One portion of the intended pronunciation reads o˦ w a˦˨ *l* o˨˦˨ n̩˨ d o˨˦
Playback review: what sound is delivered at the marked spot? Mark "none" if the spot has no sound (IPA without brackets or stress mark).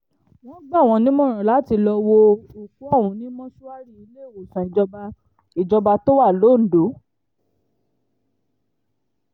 l